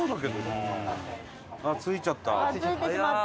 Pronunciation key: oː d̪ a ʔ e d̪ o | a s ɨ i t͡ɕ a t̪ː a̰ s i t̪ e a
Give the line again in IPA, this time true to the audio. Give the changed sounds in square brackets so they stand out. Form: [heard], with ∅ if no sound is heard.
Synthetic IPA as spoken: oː d̪ a [k] e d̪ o | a [t͡s] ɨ i t͡ɕ a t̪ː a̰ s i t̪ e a